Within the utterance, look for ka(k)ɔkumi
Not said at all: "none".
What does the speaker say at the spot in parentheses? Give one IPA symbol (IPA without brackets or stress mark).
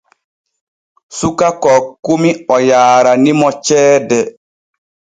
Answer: k